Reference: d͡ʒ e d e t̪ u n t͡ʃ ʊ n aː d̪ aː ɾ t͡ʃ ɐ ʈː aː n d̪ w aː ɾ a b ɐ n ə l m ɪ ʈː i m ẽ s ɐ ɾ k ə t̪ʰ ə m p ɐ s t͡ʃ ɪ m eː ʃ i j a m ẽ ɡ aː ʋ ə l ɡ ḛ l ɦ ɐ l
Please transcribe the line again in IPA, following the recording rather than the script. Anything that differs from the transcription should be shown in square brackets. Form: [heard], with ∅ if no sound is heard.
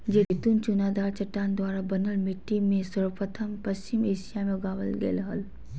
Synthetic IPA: d͡ʒ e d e t̪ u n t͡ʃ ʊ n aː d̪ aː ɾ t͡ʃ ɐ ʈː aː n d̪ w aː ɾ a b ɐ n ə l m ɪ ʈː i m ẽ s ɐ ɾ [p] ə t̪ʰ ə m p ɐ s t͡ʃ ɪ m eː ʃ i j a m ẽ ɡ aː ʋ ə l ɡ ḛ l ɦ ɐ l